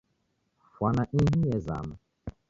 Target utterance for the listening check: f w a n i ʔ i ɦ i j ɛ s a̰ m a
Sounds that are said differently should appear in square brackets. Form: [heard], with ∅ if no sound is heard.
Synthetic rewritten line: f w a n [a] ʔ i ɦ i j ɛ [z] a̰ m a